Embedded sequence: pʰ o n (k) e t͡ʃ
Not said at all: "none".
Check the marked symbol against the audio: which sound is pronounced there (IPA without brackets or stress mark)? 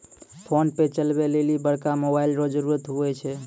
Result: p